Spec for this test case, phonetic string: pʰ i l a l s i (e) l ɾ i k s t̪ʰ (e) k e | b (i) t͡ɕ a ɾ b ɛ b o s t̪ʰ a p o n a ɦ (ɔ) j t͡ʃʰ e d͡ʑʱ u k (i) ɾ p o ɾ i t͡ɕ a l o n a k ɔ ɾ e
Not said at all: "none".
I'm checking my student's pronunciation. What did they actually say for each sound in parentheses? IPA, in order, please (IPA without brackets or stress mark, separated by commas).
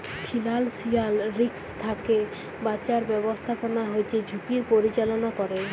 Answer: a, a, a, o, i